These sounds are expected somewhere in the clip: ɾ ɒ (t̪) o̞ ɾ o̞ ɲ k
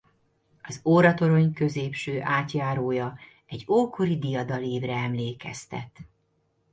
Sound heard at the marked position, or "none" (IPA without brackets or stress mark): t̪